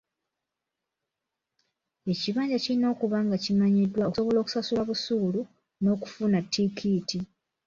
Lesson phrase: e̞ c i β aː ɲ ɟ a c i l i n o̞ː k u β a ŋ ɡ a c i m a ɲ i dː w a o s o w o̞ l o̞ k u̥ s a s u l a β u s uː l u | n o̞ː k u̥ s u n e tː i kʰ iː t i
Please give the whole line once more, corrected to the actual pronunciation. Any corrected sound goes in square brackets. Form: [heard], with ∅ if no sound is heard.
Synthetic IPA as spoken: e̞ c i β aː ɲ ɟ a c i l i n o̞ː k u β a ŋ ɡ a c i m a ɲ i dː w a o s o [β] o̞ l o̞ k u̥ s a s u l a β u s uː l u | n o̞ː k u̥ [f] u n [a] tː i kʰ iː t i